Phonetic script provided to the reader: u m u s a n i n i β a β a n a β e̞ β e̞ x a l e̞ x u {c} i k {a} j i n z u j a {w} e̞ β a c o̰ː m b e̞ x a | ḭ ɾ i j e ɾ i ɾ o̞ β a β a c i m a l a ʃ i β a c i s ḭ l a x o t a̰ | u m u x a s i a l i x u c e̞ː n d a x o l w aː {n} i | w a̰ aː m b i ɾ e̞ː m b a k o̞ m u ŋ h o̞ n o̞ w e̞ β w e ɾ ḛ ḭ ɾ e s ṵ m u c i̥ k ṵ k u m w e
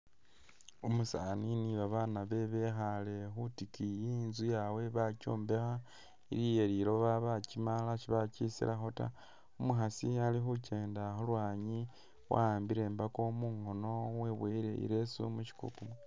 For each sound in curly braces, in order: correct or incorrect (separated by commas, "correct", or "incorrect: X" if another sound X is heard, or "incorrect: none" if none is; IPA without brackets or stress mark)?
incorrect: t, incorrect: i, correct, incorrect: ɲ